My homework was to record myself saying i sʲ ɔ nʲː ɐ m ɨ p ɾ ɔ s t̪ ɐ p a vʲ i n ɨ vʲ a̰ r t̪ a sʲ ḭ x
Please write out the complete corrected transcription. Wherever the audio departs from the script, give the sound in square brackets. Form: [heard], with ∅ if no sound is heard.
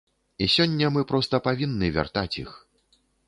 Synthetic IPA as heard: i sʲ ɔ nʲː ɐ m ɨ p ɾ ɔ s t̪ ɐ p a vʲ i [nː] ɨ vʲ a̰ r t̪ a [t͡sʲ] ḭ x